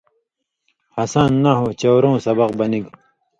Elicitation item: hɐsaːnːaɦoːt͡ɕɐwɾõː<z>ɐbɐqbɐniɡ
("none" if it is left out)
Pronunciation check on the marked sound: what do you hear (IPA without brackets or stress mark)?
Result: s